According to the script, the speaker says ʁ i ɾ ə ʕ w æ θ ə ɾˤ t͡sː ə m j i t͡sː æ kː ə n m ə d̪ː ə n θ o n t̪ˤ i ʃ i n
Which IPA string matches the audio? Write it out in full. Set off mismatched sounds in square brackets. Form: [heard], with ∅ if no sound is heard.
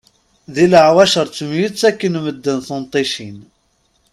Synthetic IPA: [ð] i [l] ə ʕ w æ [ʃ] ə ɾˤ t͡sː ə m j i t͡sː æ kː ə n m ə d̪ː ə n θ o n t̪ˤ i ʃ i n